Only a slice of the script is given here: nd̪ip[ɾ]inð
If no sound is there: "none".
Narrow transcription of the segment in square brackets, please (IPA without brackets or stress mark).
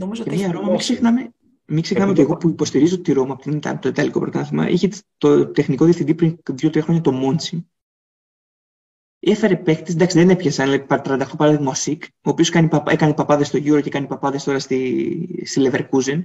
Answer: ɾ